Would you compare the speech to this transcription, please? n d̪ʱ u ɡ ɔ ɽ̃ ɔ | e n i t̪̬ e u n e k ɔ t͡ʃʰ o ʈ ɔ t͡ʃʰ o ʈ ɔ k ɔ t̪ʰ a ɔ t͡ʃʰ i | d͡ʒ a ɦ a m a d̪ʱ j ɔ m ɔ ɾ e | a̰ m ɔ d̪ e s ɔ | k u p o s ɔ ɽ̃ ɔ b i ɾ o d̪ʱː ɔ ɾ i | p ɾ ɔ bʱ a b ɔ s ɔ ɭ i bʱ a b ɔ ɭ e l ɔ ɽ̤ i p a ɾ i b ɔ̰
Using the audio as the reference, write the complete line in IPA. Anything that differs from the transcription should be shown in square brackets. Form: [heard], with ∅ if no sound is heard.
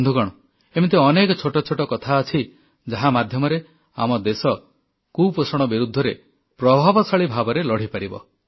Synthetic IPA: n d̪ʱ u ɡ ɔ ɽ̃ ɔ | e [m] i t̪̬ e [ɔ] n e k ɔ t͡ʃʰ o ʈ ɔ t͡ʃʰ o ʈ ɔ k ɔ t̪ʰ a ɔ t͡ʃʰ i | d͡ʒ a ɦ a m a d̪ʱ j ɔ m ɔ ɾ e | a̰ m ɔ d̪ e s ɔ | k u p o s ɔ ɽ̃ ɔ b i ɾ [u] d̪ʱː ɔ ɾ [e] | p ɾ ɔ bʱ a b ɔ s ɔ ɭ i bʱ a b ɔ [ɾ] e l ɔ ɽ̤ i p a ɾ i b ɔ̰